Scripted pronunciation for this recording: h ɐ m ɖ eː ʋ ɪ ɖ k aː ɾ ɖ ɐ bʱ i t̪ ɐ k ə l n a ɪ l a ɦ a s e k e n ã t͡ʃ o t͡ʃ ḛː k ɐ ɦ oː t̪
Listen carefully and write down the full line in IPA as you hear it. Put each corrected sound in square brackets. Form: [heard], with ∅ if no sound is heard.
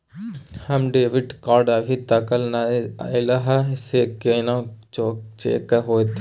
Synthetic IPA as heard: h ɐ m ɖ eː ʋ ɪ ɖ k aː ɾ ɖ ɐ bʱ i t̪ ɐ k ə l n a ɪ l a ɦ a s e k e n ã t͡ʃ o t͡ʃ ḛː k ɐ ɦ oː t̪

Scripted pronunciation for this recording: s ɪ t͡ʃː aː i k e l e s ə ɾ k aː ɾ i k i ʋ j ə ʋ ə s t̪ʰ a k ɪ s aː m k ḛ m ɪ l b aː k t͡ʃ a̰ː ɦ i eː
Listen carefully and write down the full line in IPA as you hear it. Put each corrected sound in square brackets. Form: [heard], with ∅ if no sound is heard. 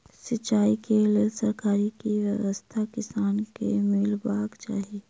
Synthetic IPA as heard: s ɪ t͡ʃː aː i k e l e s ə ɾ k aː ɾ i k i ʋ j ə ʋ ə s t̪ʰ a k ɪ s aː [n] k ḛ m ɪ l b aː k t͡ʃ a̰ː ɦ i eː

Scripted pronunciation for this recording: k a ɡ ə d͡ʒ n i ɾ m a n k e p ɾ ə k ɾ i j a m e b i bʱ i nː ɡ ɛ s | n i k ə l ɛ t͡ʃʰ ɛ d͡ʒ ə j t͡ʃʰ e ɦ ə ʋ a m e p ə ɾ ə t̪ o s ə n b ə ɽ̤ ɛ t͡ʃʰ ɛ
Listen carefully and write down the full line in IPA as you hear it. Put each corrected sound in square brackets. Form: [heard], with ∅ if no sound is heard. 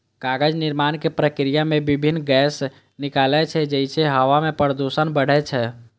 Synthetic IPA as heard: k a ɡ ə d͡ʒ n i ɾ m a n k e p ɾ ə k ɾ i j a m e b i bʱ i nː ɡ ɛ s | n i k [a] l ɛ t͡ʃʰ ɛ d͡ʒ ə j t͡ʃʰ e ɦ ə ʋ a m e p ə ɾ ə [d̪] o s ə n b ə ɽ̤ ɛ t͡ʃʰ ɛ

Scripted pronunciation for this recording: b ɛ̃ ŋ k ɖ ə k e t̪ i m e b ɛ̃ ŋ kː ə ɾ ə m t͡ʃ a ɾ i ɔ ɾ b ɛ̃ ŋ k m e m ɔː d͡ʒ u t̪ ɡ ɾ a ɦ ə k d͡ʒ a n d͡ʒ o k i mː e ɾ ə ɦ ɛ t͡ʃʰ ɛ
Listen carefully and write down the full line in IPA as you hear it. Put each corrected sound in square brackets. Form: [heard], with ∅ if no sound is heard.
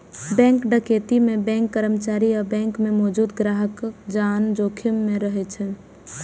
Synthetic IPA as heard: b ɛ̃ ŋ k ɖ ə k e t̪ i m e b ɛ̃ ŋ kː ə ɾ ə m t͡ʃ a ɾ i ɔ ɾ b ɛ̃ ŋ k m e m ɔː d͡ʒ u [d̪] ɡ ɾ a ɦ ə k d͡ʒ a n d͡ʒ o [kʰ] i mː e ɾ ə ɦ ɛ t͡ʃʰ ɛ

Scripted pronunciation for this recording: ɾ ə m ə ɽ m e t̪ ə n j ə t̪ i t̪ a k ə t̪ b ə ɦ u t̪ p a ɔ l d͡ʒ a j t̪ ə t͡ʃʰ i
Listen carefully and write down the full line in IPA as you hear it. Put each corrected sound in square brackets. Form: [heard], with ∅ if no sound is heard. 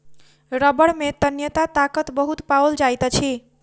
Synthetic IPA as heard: ɾ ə [b] ə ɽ m e t̪ ə n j ə t̪ [a] t̪ a k ə t̪ b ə ɦ u t̪ p a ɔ l d͡ʒ a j t̪ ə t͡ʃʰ i

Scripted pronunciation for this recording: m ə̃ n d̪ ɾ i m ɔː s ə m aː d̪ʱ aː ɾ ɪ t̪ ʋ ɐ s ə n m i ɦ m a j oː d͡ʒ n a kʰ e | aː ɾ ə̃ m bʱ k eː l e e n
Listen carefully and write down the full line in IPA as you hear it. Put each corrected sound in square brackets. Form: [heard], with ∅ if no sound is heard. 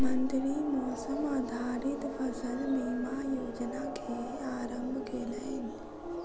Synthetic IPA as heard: m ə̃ n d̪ ɾ i m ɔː s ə m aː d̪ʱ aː ɾ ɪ t̪ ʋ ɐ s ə n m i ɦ m a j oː d͡ʒ n a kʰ e | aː ɾ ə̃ m bʱ k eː l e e n

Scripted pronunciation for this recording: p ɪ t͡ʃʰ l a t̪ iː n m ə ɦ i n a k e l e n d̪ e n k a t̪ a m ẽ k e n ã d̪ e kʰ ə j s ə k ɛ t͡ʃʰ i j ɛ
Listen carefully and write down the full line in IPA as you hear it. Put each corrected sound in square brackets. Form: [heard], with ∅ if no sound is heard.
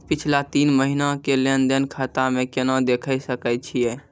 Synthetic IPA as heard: p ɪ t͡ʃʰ l a t̪ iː n m ə ɦ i n a k e l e n d̪ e n [kʰ] a t̪ a m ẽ k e n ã d̪ e kʰ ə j s ə k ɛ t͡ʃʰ i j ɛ

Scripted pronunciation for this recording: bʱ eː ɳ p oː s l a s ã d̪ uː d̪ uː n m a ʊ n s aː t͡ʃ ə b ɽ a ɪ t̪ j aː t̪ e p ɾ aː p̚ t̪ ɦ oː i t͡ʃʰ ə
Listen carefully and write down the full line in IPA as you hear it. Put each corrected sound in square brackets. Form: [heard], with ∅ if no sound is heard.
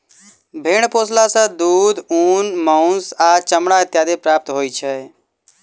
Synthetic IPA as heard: bʱ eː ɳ p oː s l a s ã d̪ uː d̪ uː n m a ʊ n s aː t͡ʃ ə [m] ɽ a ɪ t̪ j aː [d̪] e p ɾ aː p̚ t̪ ɦ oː i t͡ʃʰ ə

